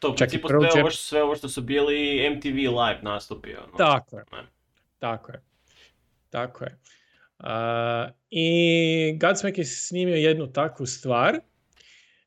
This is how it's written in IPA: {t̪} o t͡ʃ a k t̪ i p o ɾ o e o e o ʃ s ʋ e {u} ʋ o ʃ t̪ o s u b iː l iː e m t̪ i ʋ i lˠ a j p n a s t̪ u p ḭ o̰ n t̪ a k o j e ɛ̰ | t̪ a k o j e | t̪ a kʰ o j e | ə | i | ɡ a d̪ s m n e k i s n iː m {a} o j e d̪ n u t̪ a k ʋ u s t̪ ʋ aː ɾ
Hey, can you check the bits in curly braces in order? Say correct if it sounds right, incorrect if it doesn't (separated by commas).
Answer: correct, incorrect, incorrect